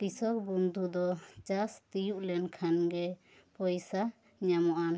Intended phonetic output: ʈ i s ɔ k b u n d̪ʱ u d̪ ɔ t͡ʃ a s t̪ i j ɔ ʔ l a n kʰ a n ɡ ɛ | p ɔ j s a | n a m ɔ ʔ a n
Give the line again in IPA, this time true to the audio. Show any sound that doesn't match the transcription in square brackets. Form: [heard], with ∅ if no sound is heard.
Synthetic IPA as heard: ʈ i s ɔ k b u n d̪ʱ u d̪ ɔ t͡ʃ a s t̪ i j [u] ʔ l [ɛ] n kʰ a n ɡ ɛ | p ɔ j s a | [ɲ] a m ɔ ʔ a n